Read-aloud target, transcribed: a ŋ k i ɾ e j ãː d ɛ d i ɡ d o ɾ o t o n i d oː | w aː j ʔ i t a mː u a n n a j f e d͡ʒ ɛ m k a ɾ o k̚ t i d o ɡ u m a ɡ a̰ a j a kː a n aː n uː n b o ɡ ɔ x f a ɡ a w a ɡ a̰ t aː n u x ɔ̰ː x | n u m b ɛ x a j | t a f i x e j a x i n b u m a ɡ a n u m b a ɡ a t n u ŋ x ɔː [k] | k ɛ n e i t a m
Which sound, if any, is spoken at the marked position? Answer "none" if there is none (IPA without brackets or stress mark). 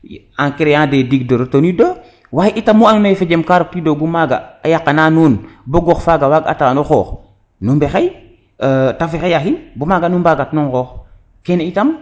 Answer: x